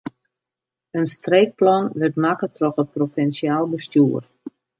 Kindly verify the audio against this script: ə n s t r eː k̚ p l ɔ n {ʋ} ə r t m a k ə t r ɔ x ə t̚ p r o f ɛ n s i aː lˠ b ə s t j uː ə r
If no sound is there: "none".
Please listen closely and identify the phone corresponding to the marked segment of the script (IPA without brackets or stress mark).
ʋ